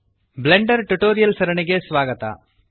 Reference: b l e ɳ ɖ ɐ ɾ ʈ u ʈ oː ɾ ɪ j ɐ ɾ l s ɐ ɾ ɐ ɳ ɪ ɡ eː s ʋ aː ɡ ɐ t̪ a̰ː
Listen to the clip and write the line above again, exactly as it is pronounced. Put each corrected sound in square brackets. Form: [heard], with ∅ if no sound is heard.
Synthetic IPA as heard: b l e ɳ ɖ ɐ ɾ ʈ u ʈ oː ɾ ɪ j ɐ [∅] l s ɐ ɾ ɐ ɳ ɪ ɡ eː s ʋ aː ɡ ɐ t̪ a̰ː

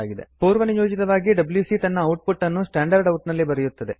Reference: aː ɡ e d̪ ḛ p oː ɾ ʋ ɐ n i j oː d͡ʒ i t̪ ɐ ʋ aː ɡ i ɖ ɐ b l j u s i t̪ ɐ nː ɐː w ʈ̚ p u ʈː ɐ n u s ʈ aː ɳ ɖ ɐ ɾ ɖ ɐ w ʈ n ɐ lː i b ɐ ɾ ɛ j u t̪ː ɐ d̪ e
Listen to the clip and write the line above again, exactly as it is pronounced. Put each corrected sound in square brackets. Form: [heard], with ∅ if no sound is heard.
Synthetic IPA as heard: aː ɡ [i] d̪ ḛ p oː ɾ ʋ ɐ n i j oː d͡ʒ i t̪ ɐ ʋ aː ɡ i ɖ ɐ b l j u s i t̪ ɐ nː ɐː w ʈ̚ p u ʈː ɐ [nː] u s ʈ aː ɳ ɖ ɐ ɾ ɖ ɐ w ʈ n ɐ lː i b ɐ ɾ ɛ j u t̪ː ɐ d̪ e

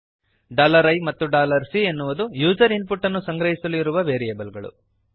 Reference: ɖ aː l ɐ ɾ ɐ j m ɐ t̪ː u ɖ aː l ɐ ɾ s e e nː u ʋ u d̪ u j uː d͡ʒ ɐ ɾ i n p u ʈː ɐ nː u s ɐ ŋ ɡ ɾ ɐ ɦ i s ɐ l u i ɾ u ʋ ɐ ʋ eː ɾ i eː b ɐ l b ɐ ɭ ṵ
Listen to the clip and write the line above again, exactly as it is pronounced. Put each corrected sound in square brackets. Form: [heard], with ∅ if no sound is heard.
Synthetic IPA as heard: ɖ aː l ɐ ɾ ɐ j m ɐ t̪ː u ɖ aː l ɐ ɾ s [i] e nː u ʋ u d̪ u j uː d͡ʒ ɐ ɾ i n p u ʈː ɐ nː u s ɐ ŋ ɡ ɾ ɐ ɦ i s ɐ l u i ɾ u ʋ ɐ ʋ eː ɾ i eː b ɐ l [ɡ] ɐ ɭ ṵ

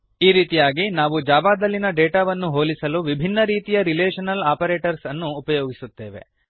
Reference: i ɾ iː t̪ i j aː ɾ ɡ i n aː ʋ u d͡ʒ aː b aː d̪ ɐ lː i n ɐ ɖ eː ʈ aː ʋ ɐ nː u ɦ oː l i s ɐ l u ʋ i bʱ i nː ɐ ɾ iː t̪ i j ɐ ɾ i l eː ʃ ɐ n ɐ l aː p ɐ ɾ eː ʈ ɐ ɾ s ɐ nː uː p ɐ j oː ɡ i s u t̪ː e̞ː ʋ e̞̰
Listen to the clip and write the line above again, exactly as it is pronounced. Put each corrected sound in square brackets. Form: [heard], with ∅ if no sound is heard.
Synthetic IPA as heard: [iː] ɾ iː t̪ i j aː [∅] ɡ i n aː ʋ u d͡ʒ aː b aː d̪ ɐ lː i n ɐ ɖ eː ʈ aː ʋ ɐ nː u ɦ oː l i s ɐ l u ʋ i bʱ i nː ɐ ɾ iː t̪ i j ɐ ɾ i l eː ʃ ɐ n ɐ l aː p ɐ ɾ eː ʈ ɐ ɾ s ɐ nː uː p ɐ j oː ɡ i s u t̪ː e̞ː ʋ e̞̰

